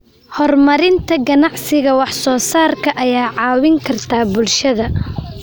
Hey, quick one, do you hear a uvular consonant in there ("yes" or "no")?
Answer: no